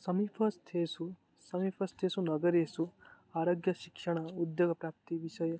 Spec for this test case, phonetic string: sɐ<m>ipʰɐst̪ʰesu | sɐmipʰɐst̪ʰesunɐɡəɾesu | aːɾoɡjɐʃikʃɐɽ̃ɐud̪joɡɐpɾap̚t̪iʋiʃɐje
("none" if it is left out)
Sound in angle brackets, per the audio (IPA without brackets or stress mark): m